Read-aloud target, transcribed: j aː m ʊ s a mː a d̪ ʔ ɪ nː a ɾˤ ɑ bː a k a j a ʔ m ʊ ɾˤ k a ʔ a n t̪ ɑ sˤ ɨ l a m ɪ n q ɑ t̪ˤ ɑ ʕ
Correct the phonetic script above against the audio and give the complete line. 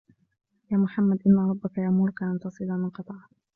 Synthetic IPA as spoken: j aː m ʊ ħ a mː a d̪ ʔ ɪ nː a ɾˤ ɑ bː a k a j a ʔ m ʊ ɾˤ k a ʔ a n t̪ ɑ sˤ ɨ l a m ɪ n q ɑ t̪ˤ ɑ ʕ